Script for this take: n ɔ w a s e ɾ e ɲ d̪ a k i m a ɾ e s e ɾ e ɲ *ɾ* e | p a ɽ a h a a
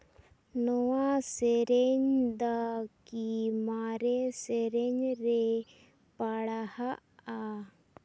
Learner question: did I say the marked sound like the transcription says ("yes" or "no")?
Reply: yes